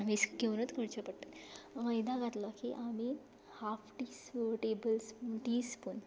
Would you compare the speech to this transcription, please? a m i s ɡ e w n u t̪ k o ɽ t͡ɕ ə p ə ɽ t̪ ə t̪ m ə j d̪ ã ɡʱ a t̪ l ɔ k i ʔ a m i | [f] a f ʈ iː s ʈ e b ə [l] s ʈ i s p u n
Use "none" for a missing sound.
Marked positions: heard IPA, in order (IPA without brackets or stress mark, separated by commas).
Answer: h, l